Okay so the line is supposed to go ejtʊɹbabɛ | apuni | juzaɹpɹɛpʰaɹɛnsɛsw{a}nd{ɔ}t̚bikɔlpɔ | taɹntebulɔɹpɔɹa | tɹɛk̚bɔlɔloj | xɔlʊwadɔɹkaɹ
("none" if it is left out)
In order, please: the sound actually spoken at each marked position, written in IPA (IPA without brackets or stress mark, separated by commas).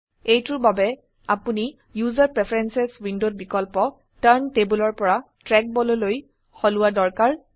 i, o